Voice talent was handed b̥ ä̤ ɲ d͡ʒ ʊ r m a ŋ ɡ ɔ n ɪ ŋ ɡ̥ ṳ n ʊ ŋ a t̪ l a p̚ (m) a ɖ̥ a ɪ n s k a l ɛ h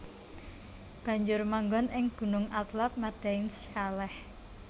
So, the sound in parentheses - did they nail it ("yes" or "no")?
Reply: yes